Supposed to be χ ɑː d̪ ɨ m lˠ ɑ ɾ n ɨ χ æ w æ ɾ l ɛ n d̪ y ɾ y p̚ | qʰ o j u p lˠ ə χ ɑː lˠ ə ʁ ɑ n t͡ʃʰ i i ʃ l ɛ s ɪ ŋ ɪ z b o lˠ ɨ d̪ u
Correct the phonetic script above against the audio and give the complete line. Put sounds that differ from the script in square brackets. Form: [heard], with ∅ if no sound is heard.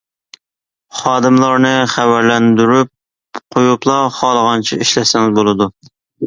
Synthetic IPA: χ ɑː d̪ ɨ m lˠ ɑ ɾ n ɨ χ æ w æ ɾ l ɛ n d̪ y ɾ y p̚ | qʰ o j u p lˠ [ɑ] χ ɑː lˠ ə ʁ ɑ n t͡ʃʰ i i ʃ l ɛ s ɪ ŋ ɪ z b o lˠ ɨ d̪ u